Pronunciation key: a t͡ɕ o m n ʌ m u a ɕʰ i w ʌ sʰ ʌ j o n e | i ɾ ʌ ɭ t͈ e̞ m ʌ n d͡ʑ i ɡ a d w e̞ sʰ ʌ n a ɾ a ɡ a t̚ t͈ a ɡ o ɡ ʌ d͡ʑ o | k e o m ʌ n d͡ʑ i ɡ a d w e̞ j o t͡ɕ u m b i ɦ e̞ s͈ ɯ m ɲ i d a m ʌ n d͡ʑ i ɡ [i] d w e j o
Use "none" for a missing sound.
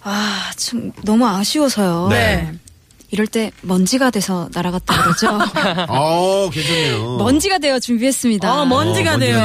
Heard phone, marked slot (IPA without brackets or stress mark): a